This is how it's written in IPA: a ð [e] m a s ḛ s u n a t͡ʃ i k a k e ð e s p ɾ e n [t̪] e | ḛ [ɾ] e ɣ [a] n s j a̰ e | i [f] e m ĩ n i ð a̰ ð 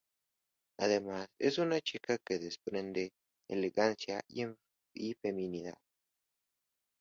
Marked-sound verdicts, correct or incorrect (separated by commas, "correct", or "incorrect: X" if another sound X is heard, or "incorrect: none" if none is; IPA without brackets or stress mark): correct, incorrect: d̪, incorrect: l, correct, correct